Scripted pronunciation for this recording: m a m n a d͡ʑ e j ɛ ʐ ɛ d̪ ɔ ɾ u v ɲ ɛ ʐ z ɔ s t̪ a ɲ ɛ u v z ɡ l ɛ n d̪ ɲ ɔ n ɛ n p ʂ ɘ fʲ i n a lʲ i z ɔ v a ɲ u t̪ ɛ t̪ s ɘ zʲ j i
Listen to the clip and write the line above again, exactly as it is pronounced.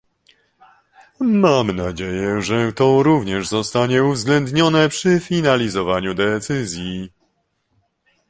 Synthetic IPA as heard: m a m n a d͡ʑ e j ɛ ʐ ɛ t̪ ɔ ɾ u v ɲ ɛ ʐ z ɔ s t̪ a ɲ ɛ u v z ɡ l ɛ n d̪ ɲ ɔ n ɛ p ʂ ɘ fʲ i n a lʲ i z ɔ v a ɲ u d̪ ɛ t̪ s ɘ zʲ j i